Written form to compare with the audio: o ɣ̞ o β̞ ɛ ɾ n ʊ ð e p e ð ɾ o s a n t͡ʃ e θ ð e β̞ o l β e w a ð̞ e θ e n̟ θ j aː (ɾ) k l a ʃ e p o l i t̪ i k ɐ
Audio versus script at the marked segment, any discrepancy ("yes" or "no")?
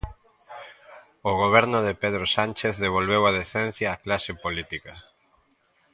yes